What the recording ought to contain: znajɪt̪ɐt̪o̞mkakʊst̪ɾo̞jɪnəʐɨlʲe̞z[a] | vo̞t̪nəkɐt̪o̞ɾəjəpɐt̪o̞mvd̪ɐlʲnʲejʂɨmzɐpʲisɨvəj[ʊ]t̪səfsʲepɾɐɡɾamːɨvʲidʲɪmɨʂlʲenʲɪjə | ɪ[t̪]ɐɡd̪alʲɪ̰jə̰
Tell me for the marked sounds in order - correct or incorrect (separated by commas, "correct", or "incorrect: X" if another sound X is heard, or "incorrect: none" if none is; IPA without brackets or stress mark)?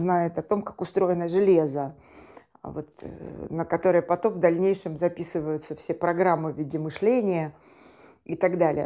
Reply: incorrect: ə, correct, correct